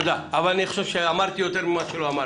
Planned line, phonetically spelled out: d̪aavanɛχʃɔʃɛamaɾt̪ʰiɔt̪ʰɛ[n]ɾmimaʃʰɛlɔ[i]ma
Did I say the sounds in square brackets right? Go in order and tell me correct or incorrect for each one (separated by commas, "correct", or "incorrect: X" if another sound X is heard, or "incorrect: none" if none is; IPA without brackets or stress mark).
incorrect: none, incorrect: a